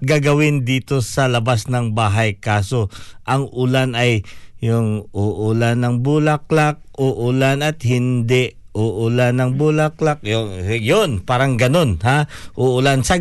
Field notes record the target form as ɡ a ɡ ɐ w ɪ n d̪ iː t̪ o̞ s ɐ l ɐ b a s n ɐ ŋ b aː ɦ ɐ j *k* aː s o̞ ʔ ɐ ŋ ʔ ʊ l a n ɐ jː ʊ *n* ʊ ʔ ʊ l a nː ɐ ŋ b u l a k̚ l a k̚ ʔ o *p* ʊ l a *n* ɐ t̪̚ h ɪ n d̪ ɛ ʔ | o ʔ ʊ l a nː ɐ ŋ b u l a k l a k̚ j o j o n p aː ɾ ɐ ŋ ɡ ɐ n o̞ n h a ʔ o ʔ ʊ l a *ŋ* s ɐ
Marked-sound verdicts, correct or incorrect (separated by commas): correct, incorrect, incorrect, correct, incorrect